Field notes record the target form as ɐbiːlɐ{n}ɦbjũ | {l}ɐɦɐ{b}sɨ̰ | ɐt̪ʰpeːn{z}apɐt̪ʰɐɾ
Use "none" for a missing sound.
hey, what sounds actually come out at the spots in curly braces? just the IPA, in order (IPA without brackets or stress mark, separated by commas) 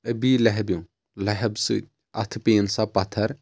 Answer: none, l, b, s